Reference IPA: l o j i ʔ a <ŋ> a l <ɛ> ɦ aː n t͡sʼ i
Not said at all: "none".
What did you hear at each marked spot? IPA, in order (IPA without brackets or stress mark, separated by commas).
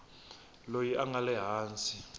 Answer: ŋ, ɛ